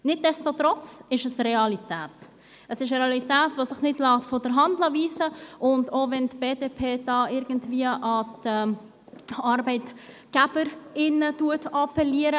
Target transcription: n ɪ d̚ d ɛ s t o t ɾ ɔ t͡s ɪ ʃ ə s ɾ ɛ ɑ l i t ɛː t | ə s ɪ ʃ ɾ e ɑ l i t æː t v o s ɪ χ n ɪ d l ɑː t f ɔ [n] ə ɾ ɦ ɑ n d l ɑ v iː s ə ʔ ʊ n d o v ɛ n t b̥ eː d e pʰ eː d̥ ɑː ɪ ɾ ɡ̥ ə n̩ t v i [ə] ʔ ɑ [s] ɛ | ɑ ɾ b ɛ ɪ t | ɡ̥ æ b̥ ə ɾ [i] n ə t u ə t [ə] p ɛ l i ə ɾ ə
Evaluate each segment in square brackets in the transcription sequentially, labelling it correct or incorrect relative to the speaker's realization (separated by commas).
incorrect, correct, incorrect, incorrect, incorrect